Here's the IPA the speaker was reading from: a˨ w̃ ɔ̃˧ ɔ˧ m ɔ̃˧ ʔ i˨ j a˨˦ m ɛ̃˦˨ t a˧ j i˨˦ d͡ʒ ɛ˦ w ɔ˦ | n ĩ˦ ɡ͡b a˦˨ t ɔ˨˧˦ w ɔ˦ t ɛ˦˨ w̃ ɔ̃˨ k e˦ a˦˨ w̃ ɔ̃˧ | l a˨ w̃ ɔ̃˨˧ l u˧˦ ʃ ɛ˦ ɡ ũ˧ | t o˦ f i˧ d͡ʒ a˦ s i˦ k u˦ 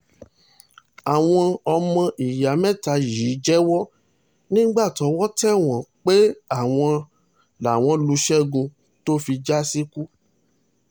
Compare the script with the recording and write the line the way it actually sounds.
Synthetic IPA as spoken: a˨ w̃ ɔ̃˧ ɔ˧ m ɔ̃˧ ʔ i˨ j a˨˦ m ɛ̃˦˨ t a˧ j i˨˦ d͡ʒ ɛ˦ w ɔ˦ | n ĩ˦ ɡ͡b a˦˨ t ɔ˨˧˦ w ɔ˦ t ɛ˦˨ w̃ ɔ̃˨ k͡p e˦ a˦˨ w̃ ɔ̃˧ | l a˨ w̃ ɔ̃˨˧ l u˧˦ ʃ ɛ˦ ɡ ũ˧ | t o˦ f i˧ d͡ʒ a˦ s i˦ k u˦

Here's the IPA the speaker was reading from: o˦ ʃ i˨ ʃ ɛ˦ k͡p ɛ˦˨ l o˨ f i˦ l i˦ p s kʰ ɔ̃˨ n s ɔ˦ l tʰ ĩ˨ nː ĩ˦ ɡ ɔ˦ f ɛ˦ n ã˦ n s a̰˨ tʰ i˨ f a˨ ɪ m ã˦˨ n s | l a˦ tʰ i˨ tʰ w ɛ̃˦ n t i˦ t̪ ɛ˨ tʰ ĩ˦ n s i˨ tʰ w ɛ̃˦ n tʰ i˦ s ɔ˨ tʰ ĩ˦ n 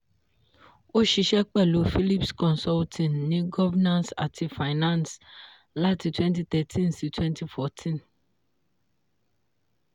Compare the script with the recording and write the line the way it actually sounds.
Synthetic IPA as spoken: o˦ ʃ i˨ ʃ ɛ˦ k͡p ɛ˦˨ l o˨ f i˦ l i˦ p s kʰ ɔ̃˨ n s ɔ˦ l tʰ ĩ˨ nː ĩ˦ ɡ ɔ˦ v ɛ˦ n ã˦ n s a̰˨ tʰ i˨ f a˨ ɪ n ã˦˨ n s | l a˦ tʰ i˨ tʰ w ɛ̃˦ n t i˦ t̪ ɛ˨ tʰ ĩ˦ n s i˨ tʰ w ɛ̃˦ n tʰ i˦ f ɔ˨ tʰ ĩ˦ n

